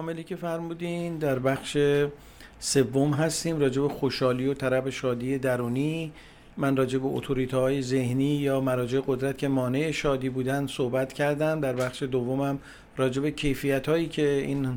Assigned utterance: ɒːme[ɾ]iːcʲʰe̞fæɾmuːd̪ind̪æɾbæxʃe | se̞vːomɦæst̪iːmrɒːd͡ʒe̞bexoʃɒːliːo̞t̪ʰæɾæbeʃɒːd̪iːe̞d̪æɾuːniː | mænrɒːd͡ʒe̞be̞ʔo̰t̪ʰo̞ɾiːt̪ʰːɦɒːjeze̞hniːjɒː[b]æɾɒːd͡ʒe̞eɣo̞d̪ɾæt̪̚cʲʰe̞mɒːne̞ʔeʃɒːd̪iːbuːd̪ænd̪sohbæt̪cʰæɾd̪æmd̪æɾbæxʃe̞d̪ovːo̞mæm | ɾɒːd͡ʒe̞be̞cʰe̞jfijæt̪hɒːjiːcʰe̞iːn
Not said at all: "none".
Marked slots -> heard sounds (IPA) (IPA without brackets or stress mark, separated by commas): l, m